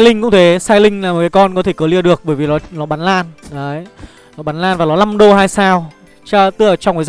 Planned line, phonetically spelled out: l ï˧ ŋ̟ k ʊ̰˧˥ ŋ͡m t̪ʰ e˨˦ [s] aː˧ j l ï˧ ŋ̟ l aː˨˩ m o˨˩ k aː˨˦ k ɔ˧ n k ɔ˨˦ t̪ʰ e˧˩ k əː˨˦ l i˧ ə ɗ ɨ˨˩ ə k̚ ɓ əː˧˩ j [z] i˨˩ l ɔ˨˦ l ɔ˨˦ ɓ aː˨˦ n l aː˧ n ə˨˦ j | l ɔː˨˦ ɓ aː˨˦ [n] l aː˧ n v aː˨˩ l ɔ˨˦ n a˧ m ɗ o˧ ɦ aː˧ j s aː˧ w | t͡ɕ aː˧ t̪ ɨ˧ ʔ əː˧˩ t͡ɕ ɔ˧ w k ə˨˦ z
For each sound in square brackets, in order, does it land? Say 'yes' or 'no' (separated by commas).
yes, no, yes